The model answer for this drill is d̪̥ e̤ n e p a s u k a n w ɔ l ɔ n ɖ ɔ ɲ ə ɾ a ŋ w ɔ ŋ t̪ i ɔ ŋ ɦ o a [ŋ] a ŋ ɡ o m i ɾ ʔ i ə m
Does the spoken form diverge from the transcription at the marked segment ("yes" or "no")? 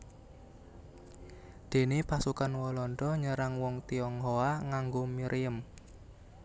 no